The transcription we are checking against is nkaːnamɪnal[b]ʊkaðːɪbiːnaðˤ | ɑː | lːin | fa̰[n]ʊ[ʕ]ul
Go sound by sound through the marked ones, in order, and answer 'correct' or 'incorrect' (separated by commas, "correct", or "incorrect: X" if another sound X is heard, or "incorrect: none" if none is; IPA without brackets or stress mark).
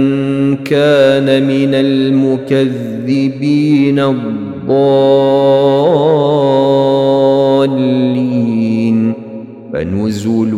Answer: incorrect: m, correct, incorrect: z